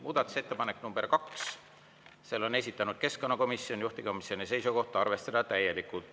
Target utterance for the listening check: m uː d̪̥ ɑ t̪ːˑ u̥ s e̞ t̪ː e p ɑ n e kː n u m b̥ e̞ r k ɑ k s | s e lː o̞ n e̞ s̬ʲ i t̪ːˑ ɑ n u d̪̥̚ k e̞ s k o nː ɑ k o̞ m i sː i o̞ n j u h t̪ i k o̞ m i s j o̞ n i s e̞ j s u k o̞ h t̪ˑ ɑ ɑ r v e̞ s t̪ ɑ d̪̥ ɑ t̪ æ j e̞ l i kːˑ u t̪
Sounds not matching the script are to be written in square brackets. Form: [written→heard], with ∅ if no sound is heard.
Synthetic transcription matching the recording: m uː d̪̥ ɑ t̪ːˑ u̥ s e̞ t̪ː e p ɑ n e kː n u m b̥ e̞ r k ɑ k s | s e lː o̞ n e̞ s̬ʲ i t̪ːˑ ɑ n u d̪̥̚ k e̞ s k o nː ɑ k o̞ m i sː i o̞ n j u h t̪ i k o̞ m i s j o̞ n i s e̞ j s u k o̞ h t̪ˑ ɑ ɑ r v e̞ s t̪ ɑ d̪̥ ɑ t̪ æ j e̞ l i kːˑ u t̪

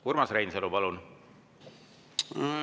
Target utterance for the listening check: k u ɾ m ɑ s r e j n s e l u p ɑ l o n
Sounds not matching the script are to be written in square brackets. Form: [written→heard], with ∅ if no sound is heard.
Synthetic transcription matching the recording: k u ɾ m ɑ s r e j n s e l u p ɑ l [o→u] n

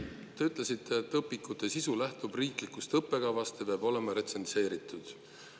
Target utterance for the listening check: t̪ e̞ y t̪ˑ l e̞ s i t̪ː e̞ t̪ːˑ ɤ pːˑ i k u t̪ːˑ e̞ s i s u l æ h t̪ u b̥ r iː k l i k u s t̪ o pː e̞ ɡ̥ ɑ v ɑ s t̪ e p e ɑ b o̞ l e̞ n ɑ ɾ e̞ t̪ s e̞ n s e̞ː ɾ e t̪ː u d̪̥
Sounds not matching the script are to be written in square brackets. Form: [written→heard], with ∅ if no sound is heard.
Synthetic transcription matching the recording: t̪ e̞ y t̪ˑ l e̞ s i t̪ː e̞ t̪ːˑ ɤ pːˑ i k u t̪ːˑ e̞ s i s u l æ h t̪ u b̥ r iː k l i k u s t̪ [o→ɤ] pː e̞ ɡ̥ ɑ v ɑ s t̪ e p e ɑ b o̞ l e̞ [n→m] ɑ ɾ e̞ t̪ s e̞ n s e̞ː ɾ [e→i] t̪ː u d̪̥

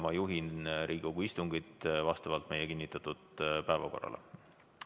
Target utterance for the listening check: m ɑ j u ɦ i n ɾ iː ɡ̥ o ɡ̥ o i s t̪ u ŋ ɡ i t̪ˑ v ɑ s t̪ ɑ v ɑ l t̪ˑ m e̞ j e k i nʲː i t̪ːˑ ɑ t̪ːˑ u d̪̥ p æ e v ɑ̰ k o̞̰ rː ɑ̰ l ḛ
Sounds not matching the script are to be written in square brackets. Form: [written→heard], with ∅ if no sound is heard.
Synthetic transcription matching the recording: m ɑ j u ɦ i n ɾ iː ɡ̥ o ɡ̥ [o→u] i s t̪ u ŋ ɡ i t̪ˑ v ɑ s t̪ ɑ v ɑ l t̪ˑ m e̞ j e k i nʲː i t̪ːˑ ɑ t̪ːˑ u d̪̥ p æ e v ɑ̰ k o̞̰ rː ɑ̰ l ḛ

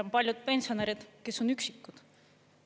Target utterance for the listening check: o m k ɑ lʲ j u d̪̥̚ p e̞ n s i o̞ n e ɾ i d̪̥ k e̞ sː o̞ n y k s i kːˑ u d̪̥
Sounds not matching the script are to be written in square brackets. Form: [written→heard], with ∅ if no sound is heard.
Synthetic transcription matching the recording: o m [k→p] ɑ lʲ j u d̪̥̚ p e̞ n s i o̞ n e ɾ i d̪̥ k e̞ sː o̞ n y k s i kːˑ u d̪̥

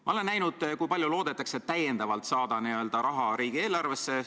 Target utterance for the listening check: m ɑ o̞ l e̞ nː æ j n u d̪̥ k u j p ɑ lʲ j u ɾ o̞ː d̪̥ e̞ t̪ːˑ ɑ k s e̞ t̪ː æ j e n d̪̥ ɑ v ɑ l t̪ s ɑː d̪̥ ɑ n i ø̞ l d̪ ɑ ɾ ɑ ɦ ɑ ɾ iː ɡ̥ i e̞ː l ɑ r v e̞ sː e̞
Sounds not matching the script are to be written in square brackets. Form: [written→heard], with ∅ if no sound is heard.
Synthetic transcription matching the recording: m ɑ o̞ l e̞ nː æ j n u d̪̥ k u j p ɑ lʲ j u [ɾ→l] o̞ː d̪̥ e̞ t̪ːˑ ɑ k s e̞ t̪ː æ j e n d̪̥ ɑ v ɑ l t̪ s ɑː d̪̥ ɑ n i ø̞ l d̪ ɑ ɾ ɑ ɦ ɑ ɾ iː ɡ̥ i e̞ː l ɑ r v e̞ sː e̞

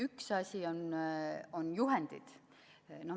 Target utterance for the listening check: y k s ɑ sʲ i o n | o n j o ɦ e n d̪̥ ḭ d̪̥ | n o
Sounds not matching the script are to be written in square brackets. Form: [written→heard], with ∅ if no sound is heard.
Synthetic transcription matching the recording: y k s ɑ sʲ i o n | o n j [o→u] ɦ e n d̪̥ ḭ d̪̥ | n o

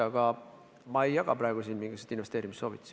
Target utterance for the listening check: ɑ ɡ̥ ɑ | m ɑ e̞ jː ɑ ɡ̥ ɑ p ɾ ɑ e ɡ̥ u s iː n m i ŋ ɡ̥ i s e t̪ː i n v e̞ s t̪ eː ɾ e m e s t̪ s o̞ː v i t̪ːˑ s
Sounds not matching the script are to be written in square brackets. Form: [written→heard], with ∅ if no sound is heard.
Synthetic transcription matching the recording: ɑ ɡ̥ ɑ | m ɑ e̞ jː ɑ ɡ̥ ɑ p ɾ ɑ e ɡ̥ u s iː n m i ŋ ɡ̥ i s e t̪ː i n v e̞ s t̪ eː ɾ [e→i] m [e→i] s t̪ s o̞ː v i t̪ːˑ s

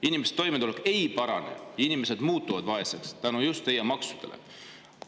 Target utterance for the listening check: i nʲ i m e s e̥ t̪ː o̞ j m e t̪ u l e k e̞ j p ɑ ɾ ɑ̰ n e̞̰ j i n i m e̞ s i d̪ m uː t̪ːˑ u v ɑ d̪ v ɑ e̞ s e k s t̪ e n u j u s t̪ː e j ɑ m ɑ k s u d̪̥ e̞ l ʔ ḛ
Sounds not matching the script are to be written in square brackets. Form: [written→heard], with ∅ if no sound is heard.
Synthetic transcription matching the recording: i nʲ i m e s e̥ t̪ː o̞ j m e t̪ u l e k e̞ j p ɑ ɾ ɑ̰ n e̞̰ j i n i m e̞ s [i→e] d̪ m uː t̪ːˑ u v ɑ d̪ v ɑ e̞ s e k s t̪ [e→æ] n u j u s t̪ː e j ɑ m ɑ k s u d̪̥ e̞ l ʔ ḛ

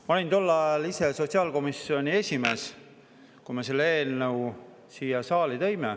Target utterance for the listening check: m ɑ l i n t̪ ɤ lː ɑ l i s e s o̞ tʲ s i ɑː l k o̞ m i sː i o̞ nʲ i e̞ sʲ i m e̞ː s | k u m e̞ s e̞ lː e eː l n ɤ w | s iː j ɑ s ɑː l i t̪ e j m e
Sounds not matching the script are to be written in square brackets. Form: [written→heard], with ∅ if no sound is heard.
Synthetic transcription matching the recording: m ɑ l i n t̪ [ɤ→o] lː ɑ l i s e s o̞ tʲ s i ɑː l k o̞ m i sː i o̞ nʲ i e̞ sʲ i m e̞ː s | k u m e̞ s e̞ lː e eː l n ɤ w | s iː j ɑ s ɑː l i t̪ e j m e

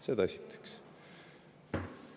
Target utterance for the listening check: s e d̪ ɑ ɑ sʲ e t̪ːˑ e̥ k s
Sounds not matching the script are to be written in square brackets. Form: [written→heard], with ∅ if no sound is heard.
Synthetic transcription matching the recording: s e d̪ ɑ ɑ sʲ [e→i] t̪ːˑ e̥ k s

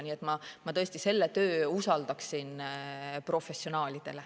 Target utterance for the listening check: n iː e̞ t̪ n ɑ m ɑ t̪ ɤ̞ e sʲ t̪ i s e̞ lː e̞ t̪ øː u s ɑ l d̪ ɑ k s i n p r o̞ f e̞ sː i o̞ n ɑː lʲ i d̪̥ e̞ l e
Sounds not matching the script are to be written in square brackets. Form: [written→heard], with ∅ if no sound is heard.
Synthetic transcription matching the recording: n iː e̞ t̪ [n→m] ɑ m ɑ t̪ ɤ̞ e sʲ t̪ i s e̞ lː e̞ t̪ øː u s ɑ l d̪ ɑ k s i n p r o̞ f e̞ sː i o̞ n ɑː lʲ i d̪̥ e̞ l e

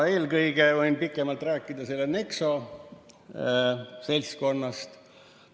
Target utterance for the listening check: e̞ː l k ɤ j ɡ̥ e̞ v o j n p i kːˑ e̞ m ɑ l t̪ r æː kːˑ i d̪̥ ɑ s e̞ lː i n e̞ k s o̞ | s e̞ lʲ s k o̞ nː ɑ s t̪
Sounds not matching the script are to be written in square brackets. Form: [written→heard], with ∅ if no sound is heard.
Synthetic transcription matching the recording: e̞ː l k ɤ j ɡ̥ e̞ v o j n p i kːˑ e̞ m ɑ l t̪ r æː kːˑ i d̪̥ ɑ s e̞ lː [i→e] n e̞ k s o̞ | s e̞ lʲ s k o̞ nː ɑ s t̪

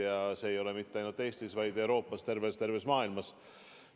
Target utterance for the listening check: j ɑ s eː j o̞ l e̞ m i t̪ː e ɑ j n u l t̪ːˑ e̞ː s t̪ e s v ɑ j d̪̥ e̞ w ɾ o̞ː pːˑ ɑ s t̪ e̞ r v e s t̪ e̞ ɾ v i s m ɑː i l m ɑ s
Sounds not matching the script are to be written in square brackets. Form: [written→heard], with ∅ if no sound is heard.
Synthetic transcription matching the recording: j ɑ s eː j o̞ l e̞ m i t̪ː e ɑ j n u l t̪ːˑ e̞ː s t̪ [e→i] s v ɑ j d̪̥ e̞ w ɾ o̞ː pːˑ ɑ s t̪ e̞ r v e s t̪ e̞ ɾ v [i→e] s m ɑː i l m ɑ s

